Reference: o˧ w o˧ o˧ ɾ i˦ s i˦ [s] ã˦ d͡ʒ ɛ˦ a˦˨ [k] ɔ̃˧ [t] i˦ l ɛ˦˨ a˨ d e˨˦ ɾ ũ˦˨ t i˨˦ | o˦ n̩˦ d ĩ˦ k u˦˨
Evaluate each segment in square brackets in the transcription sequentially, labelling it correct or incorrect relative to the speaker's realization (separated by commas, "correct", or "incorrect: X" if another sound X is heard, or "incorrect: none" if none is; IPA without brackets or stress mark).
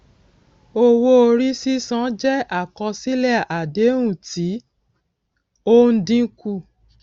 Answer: correct, correct, incorrect: s